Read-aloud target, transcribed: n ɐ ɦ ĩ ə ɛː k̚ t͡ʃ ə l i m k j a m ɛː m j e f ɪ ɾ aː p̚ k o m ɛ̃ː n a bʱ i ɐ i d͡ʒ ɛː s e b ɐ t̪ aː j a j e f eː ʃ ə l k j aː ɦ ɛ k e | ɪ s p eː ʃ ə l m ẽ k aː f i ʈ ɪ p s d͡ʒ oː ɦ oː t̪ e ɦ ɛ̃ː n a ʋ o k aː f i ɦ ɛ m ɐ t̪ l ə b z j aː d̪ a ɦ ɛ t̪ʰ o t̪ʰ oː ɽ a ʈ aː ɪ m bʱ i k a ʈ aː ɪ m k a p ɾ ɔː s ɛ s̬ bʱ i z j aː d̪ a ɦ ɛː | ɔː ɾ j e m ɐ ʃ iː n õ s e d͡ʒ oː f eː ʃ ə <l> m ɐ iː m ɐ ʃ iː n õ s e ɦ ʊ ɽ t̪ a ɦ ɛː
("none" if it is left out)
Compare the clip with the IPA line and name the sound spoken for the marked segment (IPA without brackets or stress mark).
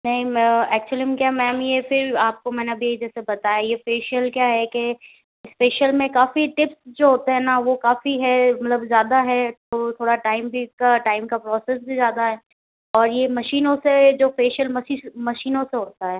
l